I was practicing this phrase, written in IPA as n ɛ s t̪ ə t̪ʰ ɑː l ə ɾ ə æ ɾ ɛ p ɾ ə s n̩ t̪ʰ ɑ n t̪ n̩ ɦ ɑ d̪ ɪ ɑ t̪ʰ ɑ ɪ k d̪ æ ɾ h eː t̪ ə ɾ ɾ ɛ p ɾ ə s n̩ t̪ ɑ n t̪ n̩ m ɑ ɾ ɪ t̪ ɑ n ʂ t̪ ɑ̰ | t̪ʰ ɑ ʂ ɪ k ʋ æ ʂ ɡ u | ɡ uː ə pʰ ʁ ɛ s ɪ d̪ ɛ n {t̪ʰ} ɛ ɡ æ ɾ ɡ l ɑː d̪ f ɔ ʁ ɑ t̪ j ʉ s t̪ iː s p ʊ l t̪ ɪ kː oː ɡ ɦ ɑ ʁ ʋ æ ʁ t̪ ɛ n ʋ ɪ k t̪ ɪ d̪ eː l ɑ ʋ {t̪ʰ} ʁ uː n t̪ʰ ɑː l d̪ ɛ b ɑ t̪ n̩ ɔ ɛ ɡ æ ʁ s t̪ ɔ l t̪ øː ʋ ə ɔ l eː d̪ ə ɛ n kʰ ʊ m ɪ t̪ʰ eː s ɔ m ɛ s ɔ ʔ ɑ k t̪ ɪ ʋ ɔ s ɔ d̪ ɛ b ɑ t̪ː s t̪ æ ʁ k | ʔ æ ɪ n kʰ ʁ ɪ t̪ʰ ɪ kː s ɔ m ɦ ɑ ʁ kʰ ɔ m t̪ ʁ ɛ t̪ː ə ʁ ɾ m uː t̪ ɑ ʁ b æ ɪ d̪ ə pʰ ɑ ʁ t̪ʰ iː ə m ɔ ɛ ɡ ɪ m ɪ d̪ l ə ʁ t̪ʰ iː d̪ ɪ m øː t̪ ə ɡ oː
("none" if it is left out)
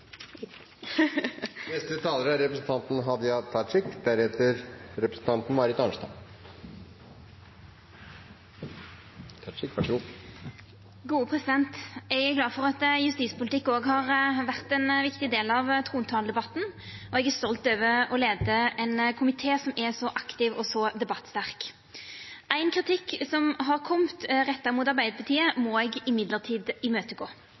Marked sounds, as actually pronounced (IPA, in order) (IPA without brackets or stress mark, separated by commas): t̪, t̪ʰ